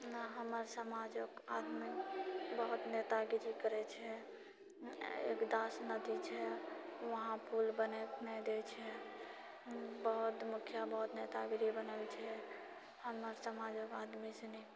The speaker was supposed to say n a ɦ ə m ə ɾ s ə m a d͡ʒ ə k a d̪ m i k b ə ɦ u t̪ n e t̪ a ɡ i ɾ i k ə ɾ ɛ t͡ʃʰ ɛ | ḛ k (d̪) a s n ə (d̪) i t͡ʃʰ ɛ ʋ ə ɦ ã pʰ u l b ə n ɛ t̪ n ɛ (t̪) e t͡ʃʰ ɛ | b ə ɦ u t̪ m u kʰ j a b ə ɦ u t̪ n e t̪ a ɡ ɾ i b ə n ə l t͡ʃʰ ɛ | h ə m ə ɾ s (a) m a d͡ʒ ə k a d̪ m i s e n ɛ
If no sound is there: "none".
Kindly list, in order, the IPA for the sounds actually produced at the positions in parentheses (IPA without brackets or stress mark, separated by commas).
d̪, d̪, d̪, ə